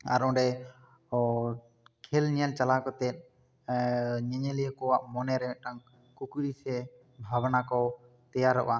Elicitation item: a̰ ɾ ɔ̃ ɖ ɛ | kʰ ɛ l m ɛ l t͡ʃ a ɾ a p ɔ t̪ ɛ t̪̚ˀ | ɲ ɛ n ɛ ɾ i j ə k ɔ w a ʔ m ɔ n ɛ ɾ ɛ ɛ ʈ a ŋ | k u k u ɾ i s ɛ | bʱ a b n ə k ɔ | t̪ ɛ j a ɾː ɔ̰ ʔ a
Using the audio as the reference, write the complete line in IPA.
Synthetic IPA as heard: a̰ ɾ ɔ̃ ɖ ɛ | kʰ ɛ l ɲ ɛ l t͡ʃ a l a k ɔ t̪ ɛ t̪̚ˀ | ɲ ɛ ɲ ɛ l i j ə k ɔ w a ʔ m ɔ n ɛ ɾ ɛ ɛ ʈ a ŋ | k u k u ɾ i s ɛ | bʱ a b n a k ɔ | t̪ ɛ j a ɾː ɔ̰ ʔ a